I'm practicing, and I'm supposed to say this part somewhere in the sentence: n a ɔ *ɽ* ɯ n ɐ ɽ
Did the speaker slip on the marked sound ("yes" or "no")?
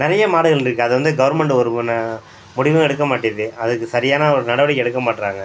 yes